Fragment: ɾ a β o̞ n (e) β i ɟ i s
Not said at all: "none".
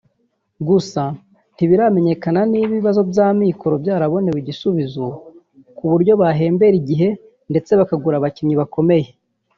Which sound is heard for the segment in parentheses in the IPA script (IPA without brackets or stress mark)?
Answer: e